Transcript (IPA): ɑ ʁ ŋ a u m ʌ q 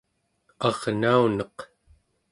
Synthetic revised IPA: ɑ ʁ n a u n ʌ q